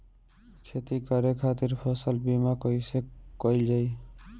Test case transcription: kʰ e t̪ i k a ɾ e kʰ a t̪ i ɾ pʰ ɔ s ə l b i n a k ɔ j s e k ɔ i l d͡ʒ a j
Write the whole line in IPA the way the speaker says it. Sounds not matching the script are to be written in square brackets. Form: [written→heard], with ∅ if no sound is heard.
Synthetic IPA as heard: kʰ e t̪ i k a ɾ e kʰ a t̪ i ɾ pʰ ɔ s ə l b i [n→m] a k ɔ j s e k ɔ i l d͡ʒ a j